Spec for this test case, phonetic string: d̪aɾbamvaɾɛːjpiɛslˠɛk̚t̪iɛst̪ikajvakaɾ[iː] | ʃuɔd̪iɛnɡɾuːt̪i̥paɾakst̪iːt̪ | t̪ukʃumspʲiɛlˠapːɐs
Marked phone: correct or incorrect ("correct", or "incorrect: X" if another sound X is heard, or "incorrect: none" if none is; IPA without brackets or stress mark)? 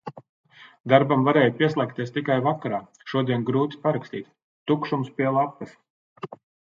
incorrect: aː